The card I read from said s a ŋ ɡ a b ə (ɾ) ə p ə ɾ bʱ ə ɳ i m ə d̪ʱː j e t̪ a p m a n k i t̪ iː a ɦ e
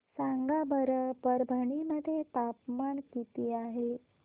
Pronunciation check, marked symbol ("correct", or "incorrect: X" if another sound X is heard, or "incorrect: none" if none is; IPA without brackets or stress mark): correct